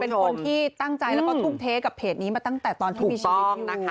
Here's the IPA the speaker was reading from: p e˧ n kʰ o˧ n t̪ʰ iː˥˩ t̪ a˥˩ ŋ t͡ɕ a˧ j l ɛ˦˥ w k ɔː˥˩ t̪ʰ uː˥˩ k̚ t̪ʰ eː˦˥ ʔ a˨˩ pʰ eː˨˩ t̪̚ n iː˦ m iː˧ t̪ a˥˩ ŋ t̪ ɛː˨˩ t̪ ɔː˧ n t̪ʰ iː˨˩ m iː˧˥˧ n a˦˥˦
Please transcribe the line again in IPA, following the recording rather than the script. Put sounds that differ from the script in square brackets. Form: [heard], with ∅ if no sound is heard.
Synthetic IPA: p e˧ n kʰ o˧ n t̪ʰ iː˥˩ t̪ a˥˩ ŋ t͡ɕ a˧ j l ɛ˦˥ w k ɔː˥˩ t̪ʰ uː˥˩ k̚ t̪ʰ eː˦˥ [k] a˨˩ pʰ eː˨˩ t̪̚ n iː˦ m [aː˧] t̪ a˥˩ ŋ t̪ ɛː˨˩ t̪ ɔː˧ n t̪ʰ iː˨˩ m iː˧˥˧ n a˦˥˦